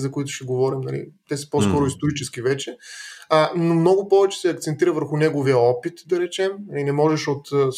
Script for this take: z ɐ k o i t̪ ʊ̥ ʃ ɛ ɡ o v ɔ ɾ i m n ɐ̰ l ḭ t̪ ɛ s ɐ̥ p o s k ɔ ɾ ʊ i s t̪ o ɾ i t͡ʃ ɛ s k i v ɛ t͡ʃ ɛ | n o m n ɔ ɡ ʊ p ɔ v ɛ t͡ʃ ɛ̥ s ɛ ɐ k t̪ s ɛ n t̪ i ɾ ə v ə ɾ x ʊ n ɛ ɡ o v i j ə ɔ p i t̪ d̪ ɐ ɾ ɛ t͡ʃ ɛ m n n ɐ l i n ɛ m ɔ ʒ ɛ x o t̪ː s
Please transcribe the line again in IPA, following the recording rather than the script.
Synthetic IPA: z ɐ k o i t̪ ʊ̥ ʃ ɛ ɡ o v ɔ ɾ i m n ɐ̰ l ḭ t̪ ɛ s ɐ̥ p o s k ɔ ɾ ʊ i s t̪ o ɾ i t͡ʃ ɛ s k i v ɛ t͡ʃ ɛ | n o m n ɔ ɡ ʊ p ɔ v ɛ t͡ʃ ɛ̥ s ɛ ɐ k t̪ s ɛ n t̪ i ɾ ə v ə ɾ x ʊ n ɛ ɡ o v i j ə ɔ p i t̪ d̪ ɐ ɾ ɛ t͡ʃ ɛ m n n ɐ l i n ɛ m ɔ ʒ ɛ ʃ o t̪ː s